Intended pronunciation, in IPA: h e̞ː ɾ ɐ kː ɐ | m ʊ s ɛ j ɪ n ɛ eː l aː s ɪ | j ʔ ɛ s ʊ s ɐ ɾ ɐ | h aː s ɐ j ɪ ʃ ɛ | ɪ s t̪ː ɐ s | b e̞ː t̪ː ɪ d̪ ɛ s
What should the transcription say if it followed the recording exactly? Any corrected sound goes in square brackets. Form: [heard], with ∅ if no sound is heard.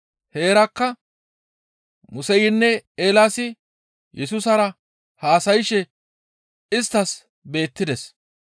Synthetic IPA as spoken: h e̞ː ɾ ɐ kː ɐ | m ʊ s ɛ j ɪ [nː] ɛ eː l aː s ɪ | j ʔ ɛ s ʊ s ɐ ɾ ɐ | h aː s ɐ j ɪ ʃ ɛ | ɪ s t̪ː ɐ s | b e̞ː t̪ː ɪ d̪ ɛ s